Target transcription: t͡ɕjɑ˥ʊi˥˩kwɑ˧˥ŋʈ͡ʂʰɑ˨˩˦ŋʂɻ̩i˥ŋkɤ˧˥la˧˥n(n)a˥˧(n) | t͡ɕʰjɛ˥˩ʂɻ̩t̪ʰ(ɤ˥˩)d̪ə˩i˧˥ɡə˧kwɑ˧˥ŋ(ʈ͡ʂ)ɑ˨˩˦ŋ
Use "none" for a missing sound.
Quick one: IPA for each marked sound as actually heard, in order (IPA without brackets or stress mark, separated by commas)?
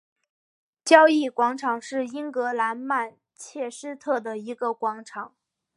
m, n, ɤ˥˩, ʈ͡ʂʰ